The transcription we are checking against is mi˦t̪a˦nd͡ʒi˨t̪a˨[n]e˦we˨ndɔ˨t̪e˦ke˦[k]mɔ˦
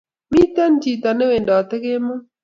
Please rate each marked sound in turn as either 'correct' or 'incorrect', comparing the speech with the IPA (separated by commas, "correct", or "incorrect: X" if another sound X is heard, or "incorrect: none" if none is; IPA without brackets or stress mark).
correct, incorrect: none